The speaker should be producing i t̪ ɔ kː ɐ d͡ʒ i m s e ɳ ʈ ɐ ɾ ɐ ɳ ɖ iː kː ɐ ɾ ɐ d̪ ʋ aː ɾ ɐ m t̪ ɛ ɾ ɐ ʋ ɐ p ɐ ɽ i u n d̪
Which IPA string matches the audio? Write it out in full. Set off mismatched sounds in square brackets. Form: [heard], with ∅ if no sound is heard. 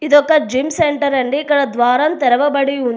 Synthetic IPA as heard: i [d̪] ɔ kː ɐ d͡ʒ i m s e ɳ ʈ ɐ ɾ ɐ ɳ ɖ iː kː ɐ [ɽ] ɐ d̪ ʋ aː ɾ ɐ m t̪ ɛ ɾ ɐ ʋ ɐ [b] ɐ ɽ i u n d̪